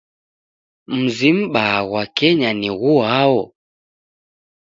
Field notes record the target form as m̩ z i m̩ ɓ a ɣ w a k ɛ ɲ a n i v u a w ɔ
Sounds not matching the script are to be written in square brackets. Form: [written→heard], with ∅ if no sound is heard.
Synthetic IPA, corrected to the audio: m̩ z i m̩ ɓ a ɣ w a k ɛ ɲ a n i [v→ɣ] u a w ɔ